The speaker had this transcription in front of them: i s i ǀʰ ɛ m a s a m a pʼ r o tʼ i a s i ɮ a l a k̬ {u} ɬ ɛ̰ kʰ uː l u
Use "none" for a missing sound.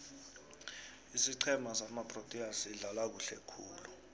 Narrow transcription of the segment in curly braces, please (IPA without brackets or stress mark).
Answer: u